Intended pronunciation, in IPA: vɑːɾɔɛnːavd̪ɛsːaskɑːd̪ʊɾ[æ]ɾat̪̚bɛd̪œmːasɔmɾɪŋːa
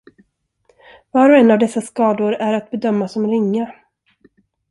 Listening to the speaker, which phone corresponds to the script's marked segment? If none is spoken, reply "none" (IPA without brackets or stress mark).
æ